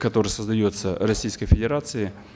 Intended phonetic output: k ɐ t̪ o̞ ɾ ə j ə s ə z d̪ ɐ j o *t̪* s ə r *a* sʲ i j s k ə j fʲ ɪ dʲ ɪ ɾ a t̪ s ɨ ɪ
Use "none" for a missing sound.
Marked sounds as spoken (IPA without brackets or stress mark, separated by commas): t̪, ɐ